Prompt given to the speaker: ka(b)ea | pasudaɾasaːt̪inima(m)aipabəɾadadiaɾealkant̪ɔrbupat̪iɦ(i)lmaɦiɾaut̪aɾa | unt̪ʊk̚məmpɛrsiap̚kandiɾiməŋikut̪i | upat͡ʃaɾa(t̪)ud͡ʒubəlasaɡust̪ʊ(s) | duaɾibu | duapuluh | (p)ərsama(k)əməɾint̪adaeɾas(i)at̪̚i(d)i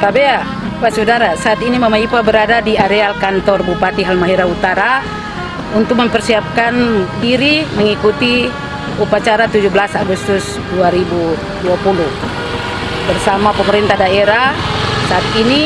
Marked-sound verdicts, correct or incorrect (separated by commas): correct, correct, incorrect, correct, correct, incorrect, incorrect, incorrect, incorrect